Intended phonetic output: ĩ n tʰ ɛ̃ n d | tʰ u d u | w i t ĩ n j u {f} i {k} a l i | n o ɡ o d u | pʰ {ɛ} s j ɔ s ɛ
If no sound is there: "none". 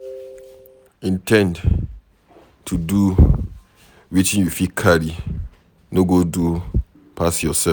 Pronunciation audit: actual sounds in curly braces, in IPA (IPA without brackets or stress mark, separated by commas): f, kʰ, a